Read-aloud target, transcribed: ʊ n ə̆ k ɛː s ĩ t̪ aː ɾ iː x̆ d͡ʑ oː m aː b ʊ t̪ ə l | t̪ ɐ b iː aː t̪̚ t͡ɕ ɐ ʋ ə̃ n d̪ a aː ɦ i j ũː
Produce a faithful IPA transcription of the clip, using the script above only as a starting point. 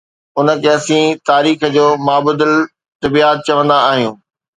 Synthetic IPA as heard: ʊ n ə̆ k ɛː s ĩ t̪ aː ɾ iː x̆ d͡ʑ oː m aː b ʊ d̪ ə l | t̪ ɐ b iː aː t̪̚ t͡ɕ ɐ ʋ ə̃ n d̪ a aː ɦ i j ũː